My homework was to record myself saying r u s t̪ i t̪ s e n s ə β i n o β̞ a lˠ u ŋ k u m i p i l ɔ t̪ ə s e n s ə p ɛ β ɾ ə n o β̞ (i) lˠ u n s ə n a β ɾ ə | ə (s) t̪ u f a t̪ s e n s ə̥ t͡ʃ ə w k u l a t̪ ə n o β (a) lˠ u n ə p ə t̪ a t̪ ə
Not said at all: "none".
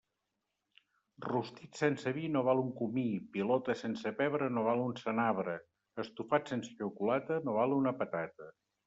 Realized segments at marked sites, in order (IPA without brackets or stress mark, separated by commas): a, s, a